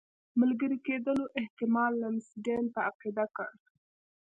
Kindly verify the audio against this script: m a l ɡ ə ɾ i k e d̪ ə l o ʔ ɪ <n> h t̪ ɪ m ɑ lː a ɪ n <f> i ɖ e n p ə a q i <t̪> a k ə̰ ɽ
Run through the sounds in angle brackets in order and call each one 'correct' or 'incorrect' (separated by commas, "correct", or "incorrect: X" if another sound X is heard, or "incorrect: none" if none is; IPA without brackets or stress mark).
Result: incorrect: none, incorrect: s, incorrect: d̪